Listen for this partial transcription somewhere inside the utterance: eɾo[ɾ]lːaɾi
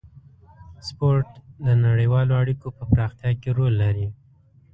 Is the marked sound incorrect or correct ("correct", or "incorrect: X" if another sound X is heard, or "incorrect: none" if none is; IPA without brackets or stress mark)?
incorrect: none